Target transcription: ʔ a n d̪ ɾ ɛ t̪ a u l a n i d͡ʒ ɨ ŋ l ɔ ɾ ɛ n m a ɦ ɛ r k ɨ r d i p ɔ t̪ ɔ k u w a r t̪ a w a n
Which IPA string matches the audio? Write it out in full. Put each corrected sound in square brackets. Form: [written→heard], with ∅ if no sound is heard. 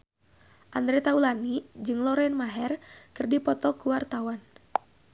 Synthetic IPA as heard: ʔ a n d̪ ɾ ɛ t̪ a u l a n i d͡ʒ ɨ ŋ l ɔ ɾ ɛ n m a ɦ ɛ r k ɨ r d i p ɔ t̪ ɔ k u w a r t̪ a w a n